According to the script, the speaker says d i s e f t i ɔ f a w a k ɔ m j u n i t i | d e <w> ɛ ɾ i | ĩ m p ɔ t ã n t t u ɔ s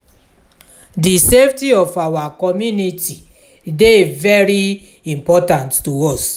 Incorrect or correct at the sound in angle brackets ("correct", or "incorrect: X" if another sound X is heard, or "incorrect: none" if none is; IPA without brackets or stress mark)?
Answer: incorrect: v